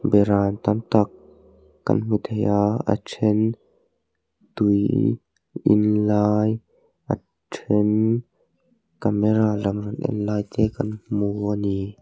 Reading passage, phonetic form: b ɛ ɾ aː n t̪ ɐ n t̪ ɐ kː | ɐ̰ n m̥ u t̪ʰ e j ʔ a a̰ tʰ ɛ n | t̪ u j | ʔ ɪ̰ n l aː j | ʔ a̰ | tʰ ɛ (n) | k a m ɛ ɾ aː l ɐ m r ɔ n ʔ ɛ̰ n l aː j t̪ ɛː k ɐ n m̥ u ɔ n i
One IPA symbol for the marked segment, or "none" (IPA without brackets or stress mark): n